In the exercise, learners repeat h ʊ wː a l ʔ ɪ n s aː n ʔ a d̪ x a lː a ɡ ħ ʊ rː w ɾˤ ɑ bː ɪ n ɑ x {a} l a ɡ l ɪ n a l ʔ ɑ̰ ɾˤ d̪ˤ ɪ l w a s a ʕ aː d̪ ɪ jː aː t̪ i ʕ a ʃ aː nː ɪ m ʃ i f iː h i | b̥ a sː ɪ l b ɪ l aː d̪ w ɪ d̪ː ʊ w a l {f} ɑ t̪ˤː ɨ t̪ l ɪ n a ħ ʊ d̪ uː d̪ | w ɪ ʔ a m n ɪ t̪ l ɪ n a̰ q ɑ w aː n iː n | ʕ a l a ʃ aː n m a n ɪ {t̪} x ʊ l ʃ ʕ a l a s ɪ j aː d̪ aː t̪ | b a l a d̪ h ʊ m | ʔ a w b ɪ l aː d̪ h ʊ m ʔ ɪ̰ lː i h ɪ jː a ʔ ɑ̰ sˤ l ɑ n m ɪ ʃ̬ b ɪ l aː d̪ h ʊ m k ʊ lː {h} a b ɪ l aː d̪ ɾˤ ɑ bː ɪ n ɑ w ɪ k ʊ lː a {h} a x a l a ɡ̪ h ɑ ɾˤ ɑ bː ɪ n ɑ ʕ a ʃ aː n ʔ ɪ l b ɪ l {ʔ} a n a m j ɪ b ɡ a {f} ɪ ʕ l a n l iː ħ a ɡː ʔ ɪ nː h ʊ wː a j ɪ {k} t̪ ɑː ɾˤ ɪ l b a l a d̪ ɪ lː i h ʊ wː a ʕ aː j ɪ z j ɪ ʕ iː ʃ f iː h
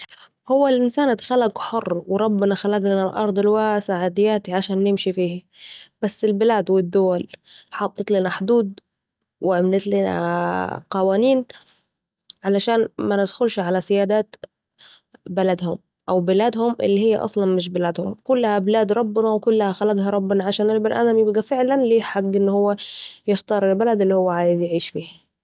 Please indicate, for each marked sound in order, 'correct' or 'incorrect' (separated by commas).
correct, incorrect, incorrect, correct, correct, correct, correct, incorrect